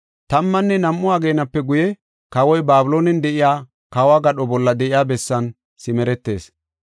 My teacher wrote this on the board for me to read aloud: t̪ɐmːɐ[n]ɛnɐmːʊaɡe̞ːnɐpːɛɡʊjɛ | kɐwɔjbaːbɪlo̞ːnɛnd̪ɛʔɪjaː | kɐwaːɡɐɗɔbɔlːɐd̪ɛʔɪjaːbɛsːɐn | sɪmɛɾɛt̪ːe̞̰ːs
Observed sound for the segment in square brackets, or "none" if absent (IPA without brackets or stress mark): nː